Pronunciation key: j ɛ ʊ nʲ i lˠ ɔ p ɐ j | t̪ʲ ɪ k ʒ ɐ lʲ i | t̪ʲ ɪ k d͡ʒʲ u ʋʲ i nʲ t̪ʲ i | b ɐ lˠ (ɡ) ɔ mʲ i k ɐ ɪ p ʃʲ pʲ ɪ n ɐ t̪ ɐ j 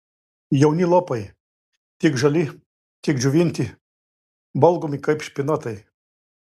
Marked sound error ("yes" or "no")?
no